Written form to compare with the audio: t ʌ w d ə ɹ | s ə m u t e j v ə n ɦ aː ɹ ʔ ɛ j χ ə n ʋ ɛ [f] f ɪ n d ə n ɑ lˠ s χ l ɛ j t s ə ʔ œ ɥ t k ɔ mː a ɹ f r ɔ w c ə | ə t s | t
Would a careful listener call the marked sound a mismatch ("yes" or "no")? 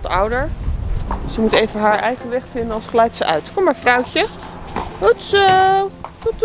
yes